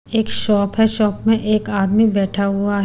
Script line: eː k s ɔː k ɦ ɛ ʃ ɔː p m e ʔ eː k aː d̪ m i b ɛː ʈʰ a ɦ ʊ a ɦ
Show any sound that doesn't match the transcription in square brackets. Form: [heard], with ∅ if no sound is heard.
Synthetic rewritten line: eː k [ʃ] ɔː [p] ɦ ɛ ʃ ɔː p m [ẽ] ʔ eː k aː d̪ m i b ɛː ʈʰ a ɦ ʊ a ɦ